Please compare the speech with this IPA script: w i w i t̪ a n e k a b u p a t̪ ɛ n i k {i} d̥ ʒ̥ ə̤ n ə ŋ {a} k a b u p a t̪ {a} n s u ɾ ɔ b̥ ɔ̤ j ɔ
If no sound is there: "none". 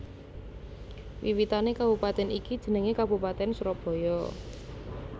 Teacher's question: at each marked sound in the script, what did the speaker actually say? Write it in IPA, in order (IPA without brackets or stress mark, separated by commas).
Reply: i, e, ɛ